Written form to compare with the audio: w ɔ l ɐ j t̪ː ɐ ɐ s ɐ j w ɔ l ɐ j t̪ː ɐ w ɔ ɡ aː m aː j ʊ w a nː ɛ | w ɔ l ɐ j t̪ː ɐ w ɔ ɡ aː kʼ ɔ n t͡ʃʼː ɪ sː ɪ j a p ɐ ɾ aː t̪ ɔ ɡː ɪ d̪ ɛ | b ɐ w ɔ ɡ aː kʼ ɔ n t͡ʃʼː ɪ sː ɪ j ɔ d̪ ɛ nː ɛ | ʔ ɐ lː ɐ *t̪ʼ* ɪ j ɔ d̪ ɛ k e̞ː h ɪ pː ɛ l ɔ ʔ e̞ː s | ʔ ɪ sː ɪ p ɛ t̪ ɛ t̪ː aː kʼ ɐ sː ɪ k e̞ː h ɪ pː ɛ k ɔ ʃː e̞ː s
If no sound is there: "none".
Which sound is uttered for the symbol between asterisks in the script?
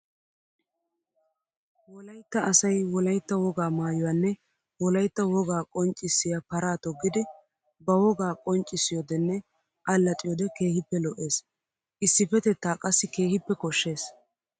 t̪ʼ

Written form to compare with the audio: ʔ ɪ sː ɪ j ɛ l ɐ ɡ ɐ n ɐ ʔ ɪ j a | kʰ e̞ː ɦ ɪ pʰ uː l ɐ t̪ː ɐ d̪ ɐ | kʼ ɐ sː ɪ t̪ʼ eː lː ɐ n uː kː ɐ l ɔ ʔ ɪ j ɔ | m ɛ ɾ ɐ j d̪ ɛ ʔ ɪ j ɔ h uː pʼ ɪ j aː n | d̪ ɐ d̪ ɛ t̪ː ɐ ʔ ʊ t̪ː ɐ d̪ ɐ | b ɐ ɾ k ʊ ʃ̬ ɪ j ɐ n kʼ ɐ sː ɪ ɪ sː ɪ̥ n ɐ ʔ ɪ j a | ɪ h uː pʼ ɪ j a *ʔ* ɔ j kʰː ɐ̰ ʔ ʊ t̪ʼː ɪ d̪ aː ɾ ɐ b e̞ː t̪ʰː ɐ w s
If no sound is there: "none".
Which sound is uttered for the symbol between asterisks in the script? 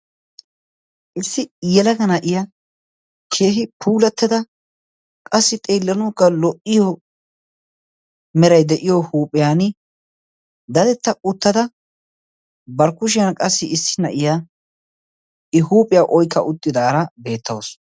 ʔ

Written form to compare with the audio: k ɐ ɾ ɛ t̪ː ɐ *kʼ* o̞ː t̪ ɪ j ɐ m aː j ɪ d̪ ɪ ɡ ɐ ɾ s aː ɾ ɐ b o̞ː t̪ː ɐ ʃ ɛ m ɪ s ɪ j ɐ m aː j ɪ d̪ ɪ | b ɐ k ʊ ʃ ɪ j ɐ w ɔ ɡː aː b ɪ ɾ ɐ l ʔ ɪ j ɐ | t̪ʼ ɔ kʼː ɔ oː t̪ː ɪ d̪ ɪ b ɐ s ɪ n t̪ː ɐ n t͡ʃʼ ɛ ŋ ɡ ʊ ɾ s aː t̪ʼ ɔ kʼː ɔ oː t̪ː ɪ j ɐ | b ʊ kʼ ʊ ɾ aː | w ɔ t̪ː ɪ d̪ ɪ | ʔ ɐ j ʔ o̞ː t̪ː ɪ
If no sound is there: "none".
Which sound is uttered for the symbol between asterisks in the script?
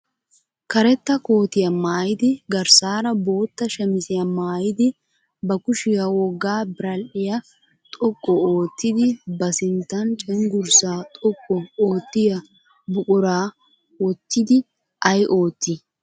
k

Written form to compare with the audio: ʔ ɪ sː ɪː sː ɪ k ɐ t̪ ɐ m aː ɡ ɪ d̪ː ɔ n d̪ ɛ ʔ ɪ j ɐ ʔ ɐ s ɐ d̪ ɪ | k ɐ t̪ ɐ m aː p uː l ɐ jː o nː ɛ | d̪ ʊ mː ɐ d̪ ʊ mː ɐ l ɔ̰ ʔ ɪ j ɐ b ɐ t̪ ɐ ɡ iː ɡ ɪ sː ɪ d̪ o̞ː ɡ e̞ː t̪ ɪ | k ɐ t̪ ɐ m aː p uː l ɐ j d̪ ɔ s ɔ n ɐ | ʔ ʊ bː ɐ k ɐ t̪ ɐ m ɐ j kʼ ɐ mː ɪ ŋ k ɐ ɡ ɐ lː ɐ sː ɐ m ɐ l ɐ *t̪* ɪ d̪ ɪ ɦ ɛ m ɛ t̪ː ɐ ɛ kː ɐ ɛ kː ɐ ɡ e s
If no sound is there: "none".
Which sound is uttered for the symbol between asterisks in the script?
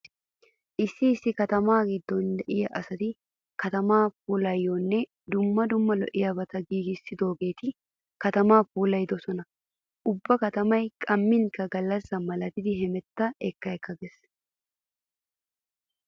t̪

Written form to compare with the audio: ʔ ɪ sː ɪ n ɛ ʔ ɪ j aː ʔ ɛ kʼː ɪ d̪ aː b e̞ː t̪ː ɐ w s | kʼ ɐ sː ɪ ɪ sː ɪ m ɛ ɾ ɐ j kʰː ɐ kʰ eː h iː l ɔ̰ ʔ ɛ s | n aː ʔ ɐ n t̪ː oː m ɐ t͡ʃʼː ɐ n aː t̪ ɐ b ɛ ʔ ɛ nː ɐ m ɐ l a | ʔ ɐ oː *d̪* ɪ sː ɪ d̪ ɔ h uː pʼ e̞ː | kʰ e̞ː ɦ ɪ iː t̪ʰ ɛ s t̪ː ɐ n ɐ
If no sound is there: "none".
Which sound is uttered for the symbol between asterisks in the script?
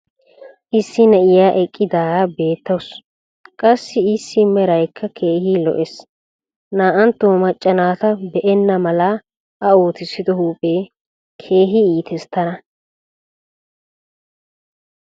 t̪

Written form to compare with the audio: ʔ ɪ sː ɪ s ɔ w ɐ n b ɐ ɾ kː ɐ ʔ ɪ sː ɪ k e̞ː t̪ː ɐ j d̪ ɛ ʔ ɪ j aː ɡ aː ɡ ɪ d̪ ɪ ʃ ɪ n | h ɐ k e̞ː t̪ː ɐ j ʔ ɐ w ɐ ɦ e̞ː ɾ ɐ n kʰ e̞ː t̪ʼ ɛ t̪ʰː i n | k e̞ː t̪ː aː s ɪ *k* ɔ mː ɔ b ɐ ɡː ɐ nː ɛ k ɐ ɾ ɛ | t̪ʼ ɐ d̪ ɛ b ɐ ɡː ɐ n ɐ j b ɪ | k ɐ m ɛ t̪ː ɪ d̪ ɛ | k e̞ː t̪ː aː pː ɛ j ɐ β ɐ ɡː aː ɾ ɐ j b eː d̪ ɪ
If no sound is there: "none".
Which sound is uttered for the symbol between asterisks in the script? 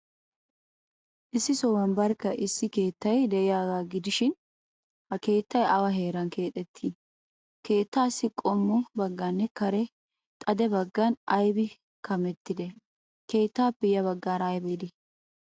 kʼ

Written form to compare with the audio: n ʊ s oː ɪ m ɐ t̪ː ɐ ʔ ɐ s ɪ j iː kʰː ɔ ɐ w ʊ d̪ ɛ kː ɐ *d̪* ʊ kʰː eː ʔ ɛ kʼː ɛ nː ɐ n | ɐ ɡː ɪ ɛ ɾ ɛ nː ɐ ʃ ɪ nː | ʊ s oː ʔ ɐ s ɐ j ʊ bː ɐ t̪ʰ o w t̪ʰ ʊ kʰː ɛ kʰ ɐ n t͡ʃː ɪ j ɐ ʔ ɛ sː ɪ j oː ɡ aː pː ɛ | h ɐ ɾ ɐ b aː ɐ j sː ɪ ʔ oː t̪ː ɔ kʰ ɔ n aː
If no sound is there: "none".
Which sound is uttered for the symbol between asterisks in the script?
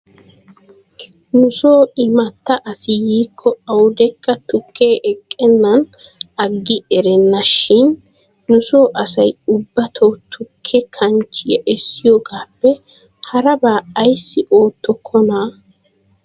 t̪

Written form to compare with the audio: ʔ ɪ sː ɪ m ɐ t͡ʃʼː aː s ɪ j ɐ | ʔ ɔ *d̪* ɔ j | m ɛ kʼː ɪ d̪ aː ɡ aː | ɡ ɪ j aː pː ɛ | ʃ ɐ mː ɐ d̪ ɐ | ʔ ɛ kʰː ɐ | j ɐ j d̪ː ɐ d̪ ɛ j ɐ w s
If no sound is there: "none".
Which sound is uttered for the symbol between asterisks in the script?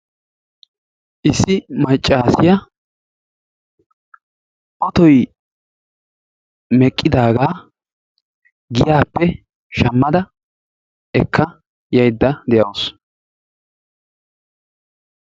t̪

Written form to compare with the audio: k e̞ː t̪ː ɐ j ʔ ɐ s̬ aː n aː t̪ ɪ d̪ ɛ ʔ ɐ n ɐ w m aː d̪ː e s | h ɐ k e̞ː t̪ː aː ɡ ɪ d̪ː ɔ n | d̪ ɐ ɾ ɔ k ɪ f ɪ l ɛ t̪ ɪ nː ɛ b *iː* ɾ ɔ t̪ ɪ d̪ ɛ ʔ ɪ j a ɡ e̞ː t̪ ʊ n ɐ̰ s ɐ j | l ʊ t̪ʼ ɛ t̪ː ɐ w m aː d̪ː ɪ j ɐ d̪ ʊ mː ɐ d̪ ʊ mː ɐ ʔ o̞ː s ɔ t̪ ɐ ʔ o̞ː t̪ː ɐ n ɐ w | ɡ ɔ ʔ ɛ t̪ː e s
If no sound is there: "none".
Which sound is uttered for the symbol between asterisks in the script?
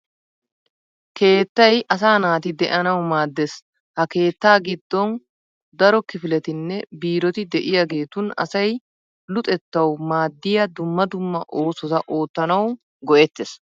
iː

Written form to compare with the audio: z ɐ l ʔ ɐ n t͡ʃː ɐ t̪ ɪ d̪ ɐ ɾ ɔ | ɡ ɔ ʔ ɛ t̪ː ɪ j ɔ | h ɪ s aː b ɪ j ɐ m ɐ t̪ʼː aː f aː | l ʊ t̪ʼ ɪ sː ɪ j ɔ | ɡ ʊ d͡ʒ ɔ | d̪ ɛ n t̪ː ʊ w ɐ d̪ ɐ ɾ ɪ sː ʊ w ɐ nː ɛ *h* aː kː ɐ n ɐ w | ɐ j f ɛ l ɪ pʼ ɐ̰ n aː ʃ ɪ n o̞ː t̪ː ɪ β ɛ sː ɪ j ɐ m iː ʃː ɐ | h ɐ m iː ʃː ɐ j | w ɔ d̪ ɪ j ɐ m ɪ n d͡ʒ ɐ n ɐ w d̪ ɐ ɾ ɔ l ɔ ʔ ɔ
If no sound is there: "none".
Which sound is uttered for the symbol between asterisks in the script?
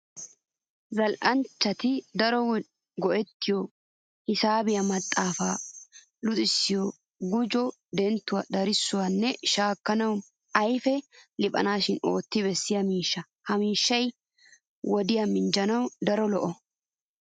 ʃ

